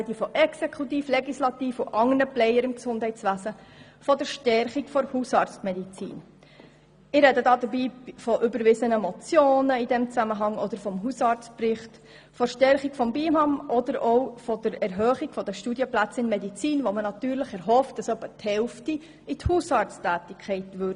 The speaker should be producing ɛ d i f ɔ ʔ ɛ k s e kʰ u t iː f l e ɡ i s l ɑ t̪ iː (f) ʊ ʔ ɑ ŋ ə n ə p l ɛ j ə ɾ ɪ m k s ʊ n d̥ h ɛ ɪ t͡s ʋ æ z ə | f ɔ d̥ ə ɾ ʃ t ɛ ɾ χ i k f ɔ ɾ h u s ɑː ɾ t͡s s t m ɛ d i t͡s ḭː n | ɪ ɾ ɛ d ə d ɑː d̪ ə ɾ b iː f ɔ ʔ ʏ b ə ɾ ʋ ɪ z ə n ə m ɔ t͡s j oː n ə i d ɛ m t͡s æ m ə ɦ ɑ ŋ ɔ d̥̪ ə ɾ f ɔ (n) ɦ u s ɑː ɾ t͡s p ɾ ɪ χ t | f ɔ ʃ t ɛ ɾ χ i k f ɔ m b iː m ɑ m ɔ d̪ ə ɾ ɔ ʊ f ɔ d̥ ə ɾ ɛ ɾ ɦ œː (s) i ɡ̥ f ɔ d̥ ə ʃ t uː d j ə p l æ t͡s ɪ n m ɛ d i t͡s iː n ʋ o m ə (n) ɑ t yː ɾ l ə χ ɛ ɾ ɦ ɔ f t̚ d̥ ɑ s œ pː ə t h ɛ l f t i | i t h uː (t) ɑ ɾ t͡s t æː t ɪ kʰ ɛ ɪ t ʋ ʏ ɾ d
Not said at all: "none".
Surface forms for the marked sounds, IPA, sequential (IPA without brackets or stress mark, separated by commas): f, m, χ, n, s